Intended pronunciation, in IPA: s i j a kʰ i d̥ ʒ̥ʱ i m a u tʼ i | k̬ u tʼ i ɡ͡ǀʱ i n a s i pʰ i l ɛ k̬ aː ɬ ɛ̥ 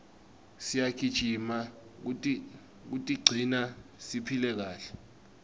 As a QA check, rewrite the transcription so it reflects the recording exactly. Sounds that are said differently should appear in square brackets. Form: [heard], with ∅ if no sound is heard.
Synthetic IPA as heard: s i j a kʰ i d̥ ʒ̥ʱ i m a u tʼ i | k̬ u tʼ i ɡ͡ǀʱ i n a s i pʰ i l ɛ k̬ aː ɬ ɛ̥